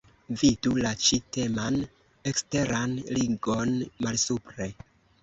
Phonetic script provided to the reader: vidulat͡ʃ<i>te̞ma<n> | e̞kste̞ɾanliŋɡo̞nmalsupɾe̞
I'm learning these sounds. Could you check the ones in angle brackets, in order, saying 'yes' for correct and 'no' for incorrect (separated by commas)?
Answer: yes, yes